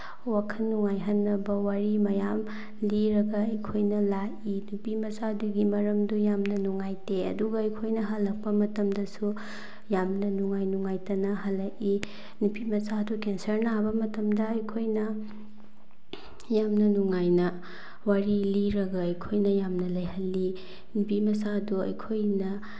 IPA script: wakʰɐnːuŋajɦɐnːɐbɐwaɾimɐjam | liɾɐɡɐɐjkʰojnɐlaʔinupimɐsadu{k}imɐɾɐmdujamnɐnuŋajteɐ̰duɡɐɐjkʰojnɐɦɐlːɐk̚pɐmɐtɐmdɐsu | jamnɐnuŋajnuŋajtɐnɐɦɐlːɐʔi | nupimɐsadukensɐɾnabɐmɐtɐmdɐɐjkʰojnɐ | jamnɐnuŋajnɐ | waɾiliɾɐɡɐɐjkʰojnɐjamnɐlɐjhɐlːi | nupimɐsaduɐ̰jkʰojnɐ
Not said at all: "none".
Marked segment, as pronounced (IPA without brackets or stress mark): ɡ